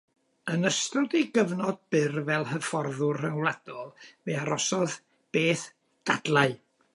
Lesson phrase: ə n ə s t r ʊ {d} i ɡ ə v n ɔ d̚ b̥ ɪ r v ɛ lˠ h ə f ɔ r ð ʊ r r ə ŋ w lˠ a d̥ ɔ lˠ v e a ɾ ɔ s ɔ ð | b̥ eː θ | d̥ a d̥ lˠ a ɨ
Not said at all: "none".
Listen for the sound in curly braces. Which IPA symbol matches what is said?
d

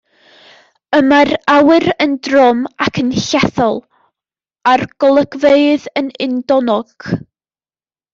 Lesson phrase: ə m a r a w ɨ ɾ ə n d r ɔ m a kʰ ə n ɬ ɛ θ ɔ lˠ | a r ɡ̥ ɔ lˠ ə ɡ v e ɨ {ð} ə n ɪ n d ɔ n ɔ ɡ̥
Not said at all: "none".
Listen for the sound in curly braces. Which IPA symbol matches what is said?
ð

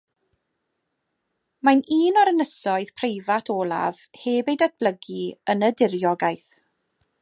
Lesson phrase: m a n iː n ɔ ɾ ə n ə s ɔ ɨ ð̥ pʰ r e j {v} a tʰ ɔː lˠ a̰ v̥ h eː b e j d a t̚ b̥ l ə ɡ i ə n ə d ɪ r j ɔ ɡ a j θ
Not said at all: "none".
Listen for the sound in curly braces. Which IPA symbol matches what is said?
v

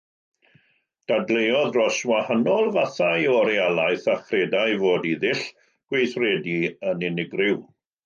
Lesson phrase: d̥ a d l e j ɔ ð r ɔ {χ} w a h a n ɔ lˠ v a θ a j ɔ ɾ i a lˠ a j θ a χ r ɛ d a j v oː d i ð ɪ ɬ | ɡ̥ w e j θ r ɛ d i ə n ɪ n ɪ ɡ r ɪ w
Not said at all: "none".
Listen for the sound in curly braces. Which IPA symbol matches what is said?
s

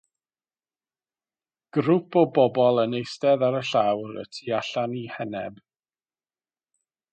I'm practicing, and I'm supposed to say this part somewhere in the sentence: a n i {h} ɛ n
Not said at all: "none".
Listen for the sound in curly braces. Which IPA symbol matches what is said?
h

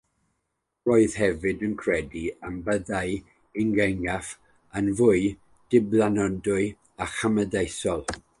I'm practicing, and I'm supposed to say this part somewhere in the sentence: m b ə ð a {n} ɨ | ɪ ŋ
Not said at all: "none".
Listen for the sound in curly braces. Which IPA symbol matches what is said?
none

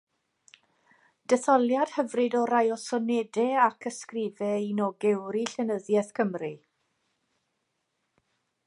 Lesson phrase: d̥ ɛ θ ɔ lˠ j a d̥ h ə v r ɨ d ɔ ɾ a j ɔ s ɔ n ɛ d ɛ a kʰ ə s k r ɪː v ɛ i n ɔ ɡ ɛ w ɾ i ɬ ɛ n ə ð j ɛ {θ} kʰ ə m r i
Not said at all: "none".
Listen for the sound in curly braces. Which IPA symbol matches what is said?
θ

